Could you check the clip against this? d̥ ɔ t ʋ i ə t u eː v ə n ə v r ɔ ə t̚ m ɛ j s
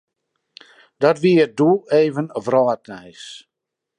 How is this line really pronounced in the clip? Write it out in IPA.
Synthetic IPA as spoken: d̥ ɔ t ʋ i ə d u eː v ə n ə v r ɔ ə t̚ n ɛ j s